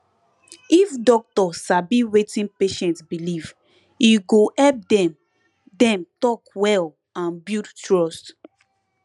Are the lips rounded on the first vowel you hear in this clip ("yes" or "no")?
no